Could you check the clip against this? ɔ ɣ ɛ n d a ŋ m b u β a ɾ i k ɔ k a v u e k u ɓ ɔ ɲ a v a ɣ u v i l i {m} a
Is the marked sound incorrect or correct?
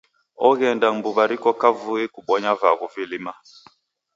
correct